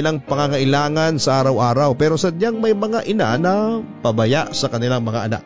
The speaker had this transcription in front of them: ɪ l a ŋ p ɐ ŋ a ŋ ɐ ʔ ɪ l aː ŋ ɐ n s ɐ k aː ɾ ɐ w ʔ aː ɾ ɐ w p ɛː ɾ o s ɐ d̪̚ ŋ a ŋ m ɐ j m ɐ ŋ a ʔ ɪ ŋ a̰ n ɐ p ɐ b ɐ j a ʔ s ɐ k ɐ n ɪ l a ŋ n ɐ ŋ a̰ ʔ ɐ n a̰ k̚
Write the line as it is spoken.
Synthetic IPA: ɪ l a ŋ p ɐ ŋ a ŋ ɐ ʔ ɪ l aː ŋ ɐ n s ɐ ʔ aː ɾ ɐ w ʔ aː ɾ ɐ w p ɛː ɾ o s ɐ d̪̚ ɲ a ŋ m ɐ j m ɐ ŋ a ʔ ɪ n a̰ n ɐ p ɐ b ɐ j a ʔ s ɐ k ɐ n ɪ l a ŋ m ɐ ŋ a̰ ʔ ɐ n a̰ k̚